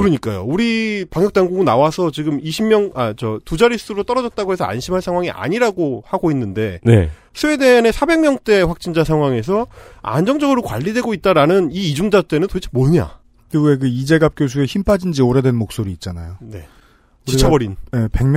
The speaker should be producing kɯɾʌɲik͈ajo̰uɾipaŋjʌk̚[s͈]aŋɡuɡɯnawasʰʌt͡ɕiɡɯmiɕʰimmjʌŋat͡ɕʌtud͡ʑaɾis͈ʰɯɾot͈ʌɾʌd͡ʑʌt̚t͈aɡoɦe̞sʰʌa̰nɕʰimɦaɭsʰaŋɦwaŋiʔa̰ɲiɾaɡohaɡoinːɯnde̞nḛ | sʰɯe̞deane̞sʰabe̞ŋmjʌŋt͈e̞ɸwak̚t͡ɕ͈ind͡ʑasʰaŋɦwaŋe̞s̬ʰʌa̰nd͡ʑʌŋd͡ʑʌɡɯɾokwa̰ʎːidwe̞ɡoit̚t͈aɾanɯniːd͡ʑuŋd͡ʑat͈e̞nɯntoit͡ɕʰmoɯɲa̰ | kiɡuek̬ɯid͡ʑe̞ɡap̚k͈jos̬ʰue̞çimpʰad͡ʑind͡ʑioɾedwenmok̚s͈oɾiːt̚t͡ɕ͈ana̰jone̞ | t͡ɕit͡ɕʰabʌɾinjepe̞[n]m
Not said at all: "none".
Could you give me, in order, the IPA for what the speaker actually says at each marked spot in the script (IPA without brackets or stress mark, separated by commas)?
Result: t͈, ŋ